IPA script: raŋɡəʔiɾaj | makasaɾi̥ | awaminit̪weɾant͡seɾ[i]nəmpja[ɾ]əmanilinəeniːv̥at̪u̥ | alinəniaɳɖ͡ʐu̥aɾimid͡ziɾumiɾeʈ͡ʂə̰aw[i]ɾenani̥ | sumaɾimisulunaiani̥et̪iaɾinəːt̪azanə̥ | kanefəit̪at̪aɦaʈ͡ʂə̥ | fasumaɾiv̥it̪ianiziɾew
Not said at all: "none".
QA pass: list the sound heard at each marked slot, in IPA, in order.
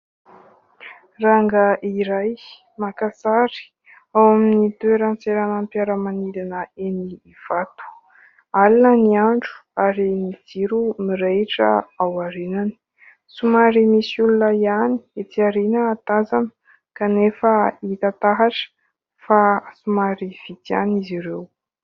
a, ɾ, a

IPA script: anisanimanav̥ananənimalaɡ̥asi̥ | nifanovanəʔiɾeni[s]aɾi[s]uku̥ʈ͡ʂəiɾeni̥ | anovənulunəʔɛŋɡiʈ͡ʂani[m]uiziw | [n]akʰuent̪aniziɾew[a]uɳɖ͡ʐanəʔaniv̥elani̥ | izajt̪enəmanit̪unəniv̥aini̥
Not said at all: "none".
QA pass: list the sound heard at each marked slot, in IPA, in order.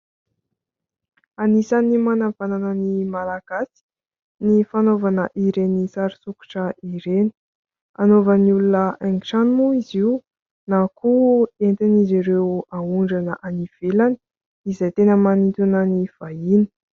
s, s, m, n, a

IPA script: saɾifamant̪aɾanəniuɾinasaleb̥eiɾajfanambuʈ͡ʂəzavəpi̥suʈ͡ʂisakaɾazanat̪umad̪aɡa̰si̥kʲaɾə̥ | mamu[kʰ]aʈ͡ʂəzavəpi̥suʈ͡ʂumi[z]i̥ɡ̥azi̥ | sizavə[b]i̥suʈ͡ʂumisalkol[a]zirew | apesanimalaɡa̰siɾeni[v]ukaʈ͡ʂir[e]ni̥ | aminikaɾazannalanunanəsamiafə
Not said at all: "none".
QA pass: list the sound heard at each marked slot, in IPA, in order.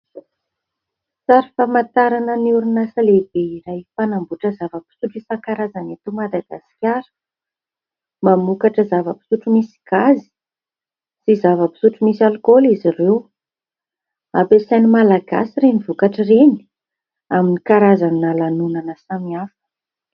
k, s, p, i, v, e

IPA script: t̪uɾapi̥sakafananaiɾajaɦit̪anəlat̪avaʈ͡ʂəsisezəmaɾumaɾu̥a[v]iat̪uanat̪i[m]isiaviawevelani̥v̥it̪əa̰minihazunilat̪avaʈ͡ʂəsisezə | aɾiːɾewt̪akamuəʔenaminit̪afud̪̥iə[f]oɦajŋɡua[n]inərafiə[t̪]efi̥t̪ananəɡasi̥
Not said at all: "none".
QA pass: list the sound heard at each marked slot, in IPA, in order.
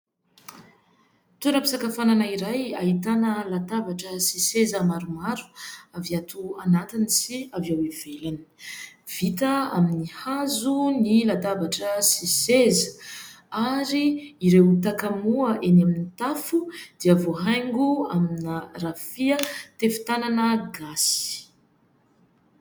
v, n, v, m, t̪

